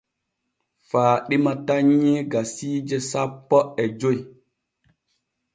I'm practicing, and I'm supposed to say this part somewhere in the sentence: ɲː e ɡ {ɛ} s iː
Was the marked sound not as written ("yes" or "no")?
yes